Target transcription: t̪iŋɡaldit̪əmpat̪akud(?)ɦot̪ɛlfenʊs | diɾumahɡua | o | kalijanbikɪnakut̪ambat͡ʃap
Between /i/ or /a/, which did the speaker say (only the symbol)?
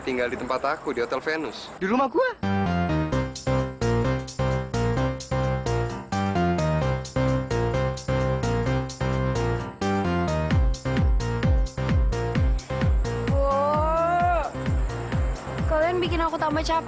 i